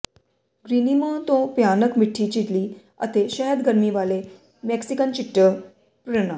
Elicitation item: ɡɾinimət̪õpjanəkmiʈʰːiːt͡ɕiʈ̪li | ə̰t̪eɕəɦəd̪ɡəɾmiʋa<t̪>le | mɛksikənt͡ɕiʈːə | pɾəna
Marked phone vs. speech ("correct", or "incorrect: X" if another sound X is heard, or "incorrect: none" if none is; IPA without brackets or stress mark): incorrect: none